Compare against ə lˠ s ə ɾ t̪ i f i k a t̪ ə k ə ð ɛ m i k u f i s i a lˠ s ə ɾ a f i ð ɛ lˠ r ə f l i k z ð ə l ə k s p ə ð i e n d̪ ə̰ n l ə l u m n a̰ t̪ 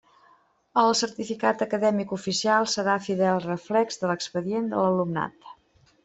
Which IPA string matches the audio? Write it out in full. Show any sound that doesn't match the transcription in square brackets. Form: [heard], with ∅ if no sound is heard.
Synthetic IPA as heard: ə lˠ s ə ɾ t̪ i f i k a t̪ ə k ə ð ɛ m i k u f i s i a lˠ s ə ɾ a f i ð ɛ lˠ r ə f l [ɛ] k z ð ə l ə k s p ə ð i e n d̪ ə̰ [∅] l ə l u m n a̰ t̪